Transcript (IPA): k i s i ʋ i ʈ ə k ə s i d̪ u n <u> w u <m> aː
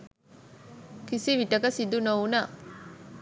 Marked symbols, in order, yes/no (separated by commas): no, no